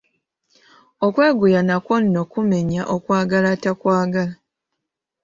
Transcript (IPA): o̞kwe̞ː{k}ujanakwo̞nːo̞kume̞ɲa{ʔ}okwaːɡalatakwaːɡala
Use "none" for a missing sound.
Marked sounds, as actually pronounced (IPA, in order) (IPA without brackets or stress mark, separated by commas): ɡ, ʔ